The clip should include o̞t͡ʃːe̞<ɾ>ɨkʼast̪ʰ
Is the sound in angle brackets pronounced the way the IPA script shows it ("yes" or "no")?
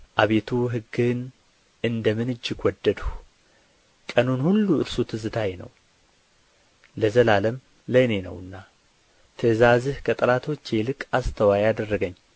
no